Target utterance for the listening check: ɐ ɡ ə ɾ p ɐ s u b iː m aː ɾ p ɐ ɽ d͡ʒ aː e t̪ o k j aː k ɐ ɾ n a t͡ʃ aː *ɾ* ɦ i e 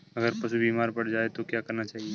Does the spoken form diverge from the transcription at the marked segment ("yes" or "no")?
yes